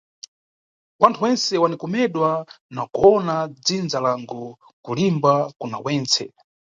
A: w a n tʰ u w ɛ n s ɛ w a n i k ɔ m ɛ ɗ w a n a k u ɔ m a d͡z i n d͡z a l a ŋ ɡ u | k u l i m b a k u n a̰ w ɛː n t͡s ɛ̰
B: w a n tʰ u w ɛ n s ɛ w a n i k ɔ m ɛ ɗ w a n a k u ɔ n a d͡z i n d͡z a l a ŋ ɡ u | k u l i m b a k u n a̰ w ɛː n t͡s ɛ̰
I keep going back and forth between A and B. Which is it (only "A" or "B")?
B